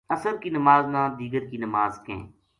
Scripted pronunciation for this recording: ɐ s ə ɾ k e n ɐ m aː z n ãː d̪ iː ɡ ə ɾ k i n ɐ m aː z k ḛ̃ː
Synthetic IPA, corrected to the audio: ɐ s ə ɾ k i n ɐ m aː z n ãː d̪ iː ɡ ə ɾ k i n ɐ m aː z k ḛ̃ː